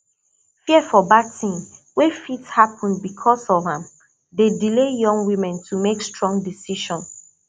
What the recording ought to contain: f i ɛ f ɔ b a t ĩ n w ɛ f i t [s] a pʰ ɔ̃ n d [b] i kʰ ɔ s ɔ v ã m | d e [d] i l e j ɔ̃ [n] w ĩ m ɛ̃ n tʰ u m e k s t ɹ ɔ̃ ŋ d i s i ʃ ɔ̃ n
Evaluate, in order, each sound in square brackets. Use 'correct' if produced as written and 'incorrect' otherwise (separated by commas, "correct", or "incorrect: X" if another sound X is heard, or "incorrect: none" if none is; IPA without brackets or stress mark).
incorrect: h, correct, correct, incorrect: ŋ